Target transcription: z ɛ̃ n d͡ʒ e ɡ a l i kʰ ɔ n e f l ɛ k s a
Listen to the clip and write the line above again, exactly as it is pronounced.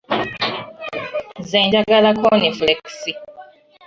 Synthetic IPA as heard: z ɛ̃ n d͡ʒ a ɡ a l a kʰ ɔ n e f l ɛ k s i